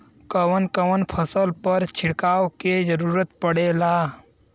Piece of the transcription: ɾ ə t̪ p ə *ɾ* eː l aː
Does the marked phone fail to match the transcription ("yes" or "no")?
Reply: yes